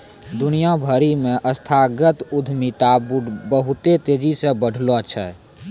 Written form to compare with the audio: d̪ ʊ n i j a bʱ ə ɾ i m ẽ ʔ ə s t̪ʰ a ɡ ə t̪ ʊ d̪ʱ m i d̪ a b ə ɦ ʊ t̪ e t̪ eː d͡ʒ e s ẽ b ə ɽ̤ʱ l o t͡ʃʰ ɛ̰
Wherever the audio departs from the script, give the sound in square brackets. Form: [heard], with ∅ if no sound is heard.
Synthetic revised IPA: d̪ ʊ n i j a bʱ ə ɾ i m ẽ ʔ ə s t̪ʰ a ɡ ə t̪ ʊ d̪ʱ m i [t̪] a b ə ɦ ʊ t̪ e t̪ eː d͡ʒ [i] s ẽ b ə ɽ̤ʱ l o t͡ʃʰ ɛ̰